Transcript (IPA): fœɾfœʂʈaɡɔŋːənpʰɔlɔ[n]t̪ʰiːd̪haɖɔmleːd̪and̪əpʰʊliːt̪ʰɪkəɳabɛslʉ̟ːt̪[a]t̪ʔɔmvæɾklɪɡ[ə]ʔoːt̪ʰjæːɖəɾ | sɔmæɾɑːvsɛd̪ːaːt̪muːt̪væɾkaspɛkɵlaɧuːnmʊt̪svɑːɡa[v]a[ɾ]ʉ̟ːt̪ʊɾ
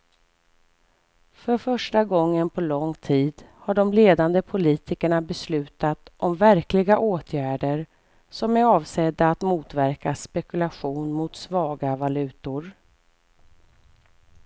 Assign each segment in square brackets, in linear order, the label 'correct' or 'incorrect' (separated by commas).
incorrect, correct, incorrect, correct, incorrect